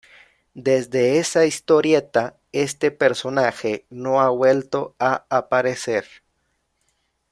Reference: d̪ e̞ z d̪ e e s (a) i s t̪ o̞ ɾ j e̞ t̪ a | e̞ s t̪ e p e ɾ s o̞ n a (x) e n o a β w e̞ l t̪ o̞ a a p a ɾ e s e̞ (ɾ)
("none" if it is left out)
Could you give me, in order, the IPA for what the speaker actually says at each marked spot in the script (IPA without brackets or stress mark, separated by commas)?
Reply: a, x, ɾ